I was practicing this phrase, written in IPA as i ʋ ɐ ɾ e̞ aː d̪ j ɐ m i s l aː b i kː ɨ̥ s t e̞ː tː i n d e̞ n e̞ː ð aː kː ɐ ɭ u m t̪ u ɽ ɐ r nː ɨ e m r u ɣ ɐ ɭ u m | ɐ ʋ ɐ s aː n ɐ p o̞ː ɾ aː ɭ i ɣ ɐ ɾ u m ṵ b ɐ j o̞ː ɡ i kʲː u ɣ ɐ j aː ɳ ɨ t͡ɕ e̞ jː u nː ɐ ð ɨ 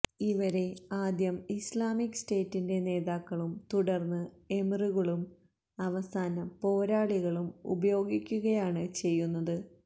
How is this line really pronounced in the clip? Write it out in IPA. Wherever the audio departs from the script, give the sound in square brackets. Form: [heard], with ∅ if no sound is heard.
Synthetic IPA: i ʋ ɐ ɾ e̞ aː d̪ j ɐ m i s l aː [m] i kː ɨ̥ s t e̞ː tː i n d e̞ n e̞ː ð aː kː ɐ ɭ u m t̪ u ɽ ɐ r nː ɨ e m r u ɣ ɐ ɭ u m | ɐ ʋ ɐ s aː n ɐ p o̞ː ɾ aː ɭ i ɣ ɐ [ɭ] u m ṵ b ɐ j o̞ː ɡ i kʲː u ɣ ɐ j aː ɳ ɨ t͡ɕ e̞ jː u nː ɐ ð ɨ